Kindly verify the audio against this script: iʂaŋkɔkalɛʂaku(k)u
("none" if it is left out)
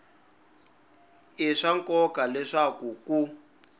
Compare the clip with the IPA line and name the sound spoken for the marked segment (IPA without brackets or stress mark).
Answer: k